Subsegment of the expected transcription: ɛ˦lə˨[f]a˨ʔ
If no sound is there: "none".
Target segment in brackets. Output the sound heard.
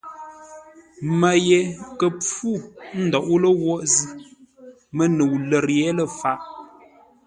f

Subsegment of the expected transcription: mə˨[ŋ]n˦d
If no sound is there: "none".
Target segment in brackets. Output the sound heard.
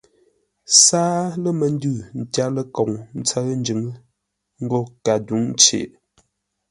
none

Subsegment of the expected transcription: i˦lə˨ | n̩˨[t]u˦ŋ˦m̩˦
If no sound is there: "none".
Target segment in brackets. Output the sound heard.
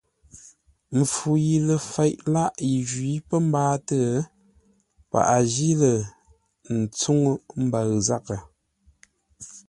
t͡s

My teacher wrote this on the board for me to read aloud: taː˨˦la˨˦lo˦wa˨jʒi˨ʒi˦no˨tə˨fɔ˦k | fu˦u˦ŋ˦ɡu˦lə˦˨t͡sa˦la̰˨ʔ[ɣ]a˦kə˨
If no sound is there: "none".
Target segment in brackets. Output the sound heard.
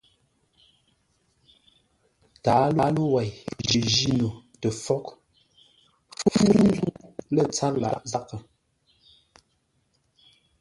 z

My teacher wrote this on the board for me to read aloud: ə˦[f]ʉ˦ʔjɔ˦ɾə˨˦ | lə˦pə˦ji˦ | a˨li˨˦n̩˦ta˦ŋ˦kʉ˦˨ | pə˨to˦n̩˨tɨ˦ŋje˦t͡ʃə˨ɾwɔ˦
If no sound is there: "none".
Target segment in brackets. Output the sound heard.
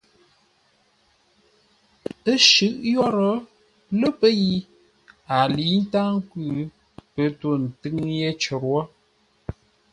ʃ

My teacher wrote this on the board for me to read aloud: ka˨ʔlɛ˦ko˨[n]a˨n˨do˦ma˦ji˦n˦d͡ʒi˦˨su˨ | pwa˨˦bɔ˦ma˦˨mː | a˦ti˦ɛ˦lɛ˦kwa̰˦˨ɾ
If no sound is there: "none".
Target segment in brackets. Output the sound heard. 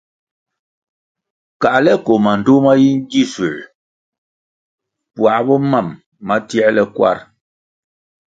m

